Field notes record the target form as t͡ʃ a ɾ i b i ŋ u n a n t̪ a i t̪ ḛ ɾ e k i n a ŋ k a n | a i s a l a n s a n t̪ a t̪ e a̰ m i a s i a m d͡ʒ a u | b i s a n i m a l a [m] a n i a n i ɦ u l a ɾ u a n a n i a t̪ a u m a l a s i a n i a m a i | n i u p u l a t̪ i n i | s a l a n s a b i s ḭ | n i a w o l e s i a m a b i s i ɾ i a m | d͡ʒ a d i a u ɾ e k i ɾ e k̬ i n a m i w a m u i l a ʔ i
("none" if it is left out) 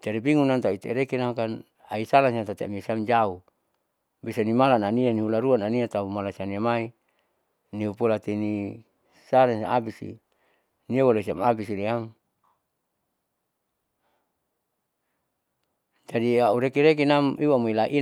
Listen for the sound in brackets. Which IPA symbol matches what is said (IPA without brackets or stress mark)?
n